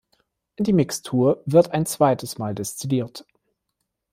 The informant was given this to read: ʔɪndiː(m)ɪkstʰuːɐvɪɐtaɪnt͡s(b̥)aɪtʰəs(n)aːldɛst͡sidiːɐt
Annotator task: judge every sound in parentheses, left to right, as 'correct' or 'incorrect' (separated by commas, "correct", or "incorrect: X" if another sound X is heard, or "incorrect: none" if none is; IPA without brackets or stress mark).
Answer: correct, incorrect: v̥, incorrect: m